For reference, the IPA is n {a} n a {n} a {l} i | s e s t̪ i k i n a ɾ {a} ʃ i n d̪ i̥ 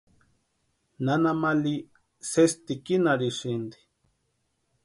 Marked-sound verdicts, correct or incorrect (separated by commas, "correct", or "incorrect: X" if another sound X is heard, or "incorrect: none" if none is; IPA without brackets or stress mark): correct, incorrect: m, correct, incorrect: i